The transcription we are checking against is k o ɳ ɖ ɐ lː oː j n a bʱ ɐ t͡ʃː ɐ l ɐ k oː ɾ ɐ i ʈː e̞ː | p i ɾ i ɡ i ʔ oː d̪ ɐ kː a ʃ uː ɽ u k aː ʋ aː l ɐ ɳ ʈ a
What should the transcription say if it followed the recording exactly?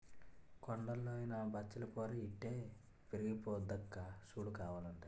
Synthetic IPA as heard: k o ɳ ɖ ɐ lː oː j n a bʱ ɐ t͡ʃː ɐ l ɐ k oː ɾ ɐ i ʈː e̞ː | p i ɾ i ɡ i p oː d̪ ɐ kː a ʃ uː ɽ u k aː ʋ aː l ɐ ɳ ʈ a